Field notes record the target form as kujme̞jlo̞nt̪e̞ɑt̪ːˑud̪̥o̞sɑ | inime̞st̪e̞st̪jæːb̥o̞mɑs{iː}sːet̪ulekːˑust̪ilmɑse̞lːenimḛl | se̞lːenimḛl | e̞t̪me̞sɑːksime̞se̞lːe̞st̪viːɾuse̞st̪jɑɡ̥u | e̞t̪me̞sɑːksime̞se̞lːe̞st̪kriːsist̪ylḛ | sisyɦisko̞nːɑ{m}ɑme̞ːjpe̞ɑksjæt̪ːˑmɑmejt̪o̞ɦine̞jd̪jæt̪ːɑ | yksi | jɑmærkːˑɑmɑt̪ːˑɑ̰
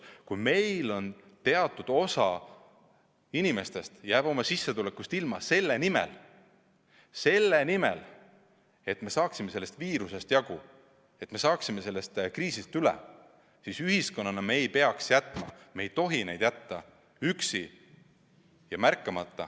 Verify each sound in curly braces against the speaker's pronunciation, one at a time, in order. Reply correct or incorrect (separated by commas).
incorrect, incorrect